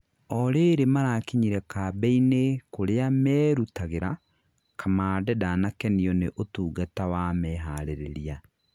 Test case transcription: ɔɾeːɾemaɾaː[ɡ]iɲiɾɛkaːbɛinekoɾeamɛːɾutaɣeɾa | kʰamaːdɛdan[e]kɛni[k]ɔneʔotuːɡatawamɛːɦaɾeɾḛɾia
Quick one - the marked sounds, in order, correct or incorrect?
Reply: incorrect: k, incorrect: a, incorrect: none

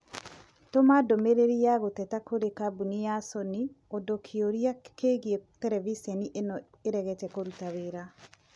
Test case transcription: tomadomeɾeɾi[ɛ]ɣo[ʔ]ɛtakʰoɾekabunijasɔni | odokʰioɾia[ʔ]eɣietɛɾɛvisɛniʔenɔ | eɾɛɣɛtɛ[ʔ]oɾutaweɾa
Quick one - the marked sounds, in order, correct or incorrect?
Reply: incorrect: a, incorrect: t, incorrect: k, incorrect: k

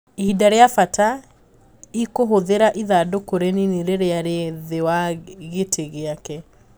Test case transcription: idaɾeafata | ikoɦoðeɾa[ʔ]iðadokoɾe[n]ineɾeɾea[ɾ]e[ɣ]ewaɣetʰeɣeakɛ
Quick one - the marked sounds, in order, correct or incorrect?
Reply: correct, correct, correct, incorrect: ð

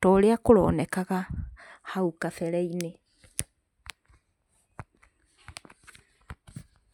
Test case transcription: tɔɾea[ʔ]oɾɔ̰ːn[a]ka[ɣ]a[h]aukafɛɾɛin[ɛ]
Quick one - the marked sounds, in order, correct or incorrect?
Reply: incorrect: k, incorrect: ɛ, correct, correct, incorrect: e

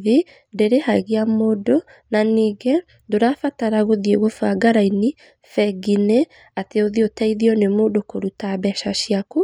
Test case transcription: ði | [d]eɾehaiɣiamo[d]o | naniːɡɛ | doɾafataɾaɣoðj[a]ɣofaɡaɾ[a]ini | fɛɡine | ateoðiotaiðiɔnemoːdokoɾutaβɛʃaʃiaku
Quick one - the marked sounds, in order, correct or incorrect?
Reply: correct, correct, incorrect: e, correct

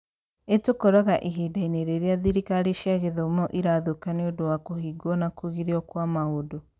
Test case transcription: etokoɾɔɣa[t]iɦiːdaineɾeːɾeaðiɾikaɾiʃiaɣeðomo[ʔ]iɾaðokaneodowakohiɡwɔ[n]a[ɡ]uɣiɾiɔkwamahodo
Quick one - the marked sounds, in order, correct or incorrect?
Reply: incorrect: ʔ, correct, correct, incorrect: k

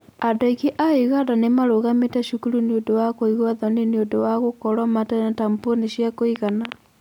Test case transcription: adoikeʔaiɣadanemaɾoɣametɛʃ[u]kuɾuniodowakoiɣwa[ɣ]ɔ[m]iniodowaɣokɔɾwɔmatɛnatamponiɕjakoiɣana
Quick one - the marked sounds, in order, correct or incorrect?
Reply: correct, incorrect: ð, incorrect: n

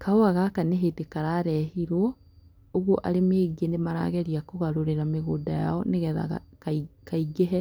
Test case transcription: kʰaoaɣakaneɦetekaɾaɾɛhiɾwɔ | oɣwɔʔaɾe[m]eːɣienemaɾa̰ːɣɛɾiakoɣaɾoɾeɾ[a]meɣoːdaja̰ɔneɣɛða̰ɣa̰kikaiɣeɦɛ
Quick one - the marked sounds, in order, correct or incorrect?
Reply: correct, correct

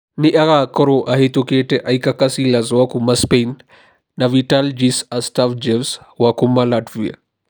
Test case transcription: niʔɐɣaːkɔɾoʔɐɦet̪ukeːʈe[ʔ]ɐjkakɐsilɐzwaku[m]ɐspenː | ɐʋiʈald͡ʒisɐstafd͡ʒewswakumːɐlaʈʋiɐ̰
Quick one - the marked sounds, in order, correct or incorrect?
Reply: correct, correct

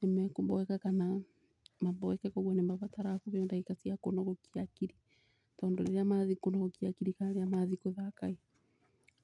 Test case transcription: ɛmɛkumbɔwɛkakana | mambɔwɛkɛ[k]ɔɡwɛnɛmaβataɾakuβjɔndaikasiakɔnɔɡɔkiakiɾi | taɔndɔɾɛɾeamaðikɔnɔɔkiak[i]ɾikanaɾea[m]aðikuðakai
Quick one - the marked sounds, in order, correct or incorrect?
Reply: correct, correct, correct

